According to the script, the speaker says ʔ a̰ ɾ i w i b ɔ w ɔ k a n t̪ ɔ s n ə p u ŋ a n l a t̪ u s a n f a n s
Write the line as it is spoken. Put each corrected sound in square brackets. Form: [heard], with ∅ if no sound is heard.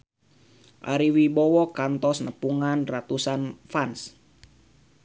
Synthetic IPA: ʔ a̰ ɾ i w i b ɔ w ɔ k a n t̪ ɔ s n ə p u ŋ a n [r] a t̪ u s a n f a n s